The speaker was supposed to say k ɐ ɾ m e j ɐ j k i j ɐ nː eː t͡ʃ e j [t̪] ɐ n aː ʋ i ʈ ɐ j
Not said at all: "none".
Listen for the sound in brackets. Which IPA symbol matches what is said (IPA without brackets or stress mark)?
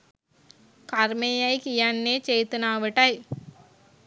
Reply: t̪